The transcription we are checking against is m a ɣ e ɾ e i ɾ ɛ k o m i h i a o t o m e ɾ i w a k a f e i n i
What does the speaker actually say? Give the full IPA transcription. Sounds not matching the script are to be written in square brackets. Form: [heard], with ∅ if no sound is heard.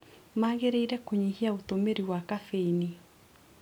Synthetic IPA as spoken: m a ɣ e ɾ e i ɾ ɛ k o [ɲ] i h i a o t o m e ɾ i w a k a f e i n i